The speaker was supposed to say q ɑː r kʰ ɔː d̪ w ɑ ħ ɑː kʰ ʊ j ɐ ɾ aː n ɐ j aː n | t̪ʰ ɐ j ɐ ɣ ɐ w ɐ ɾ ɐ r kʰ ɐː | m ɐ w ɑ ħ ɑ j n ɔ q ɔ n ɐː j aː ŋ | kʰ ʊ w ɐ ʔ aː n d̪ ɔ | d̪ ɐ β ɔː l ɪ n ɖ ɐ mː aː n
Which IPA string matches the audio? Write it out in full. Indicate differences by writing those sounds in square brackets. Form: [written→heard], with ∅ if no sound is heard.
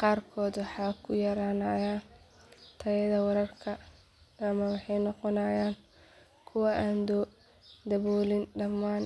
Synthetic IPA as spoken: q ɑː r kʰ ɔː d̪ w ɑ ħ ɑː kʰ ʊ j ɐ ɾ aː n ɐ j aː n | t̪ʰ ɐ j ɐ [ɣ→ð] ɐ w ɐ ɾ ɐ r kʰ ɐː | m ɐ w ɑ ħ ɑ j n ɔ q ɔ n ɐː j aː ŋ | kʰ ʊ w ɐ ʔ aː n d̪ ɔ | d̪ ɐ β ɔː l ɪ n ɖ ɐ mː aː n